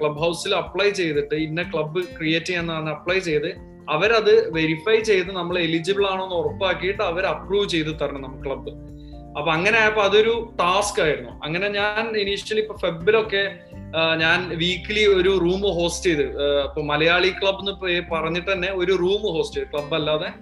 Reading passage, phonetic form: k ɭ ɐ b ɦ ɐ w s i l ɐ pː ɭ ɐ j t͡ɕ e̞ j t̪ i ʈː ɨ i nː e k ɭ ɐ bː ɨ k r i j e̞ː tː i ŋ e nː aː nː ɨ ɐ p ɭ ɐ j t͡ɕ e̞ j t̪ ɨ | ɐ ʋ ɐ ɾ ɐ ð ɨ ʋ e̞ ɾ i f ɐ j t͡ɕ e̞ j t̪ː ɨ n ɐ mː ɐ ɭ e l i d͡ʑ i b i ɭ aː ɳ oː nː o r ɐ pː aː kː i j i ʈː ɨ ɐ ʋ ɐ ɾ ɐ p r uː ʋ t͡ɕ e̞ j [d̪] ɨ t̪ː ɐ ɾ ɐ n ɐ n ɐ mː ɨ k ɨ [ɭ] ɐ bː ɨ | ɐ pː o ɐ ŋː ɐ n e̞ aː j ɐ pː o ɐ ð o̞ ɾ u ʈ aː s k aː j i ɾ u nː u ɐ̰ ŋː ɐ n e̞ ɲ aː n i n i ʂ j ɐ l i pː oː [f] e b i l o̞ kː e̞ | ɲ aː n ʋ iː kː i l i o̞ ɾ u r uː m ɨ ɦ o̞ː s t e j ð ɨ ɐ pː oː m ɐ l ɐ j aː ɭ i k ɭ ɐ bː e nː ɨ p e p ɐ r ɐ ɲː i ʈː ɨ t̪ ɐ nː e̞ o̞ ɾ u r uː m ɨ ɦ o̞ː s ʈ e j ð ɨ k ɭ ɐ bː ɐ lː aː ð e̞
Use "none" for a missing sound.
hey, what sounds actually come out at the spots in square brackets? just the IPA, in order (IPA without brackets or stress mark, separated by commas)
t̪, ɭ, f